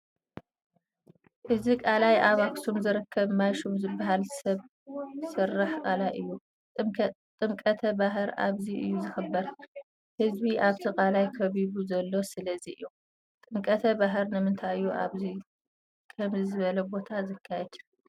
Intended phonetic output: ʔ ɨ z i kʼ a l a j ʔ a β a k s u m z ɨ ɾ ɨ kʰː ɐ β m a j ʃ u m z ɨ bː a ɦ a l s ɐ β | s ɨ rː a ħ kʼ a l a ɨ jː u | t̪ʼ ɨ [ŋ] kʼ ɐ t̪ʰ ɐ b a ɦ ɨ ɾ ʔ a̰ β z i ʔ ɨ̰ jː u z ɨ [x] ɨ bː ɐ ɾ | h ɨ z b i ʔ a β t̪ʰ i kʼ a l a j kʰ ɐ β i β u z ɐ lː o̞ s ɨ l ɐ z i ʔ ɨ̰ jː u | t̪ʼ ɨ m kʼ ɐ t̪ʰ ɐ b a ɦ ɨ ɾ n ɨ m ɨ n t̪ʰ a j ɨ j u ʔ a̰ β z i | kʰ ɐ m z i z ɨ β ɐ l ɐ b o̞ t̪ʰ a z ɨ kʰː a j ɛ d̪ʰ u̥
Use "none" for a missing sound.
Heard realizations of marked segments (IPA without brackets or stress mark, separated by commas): m, x